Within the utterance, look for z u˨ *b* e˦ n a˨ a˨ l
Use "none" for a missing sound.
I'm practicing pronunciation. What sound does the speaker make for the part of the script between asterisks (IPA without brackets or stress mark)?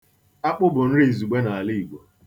ɡ͡b